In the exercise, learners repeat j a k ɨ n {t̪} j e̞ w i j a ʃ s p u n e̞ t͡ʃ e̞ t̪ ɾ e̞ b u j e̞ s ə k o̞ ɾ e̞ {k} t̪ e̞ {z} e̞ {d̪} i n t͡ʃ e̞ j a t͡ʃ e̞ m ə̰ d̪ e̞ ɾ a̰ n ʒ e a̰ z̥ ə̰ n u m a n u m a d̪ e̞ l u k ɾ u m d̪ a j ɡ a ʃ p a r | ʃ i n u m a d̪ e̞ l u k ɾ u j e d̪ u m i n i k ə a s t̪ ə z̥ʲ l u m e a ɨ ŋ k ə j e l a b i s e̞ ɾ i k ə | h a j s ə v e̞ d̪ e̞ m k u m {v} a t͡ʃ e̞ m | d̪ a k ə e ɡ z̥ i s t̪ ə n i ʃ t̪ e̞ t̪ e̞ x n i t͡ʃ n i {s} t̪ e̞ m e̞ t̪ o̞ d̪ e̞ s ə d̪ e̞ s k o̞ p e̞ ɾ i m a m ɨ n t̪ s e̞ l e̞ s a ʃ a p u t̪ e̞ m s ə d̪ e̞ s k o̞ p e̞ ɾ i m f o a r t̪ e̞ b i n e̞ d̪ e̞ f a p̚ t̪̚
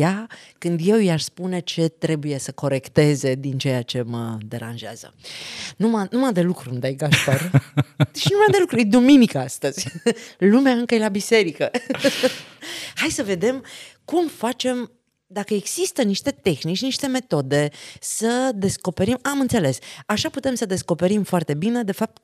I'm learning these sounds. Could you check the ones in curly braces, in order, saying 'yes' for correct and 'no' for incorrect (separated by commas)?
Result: no, yes, yes, yes, no, no